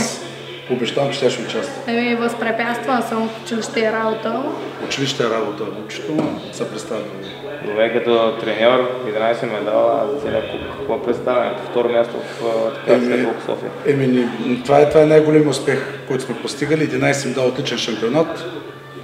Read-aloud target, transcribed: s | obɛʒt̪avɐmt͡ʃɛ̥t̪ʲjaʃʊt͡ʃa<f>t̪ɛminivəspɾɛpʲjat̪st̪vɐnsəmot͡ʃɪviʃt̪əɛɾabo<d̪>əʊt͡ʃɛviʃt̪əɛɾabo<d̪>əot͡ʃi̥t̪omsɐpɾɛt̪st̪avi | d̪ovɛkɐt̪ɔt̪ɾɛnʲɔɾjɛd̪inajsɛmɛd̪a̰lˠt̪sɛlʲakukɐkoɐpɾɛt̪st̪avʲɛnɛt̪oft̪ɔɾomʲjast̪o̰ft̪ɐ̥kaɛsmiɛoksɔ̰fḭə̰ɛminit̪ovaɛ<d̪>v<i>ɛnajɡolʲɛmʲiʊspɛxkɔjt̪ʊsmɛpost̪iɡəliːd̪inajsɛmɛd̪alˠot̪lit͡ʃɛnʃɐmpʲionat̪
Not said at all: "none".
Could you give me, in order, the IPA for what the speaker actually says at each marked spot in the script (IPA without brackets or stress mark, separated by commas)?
s, t̪, t̪, t̪, a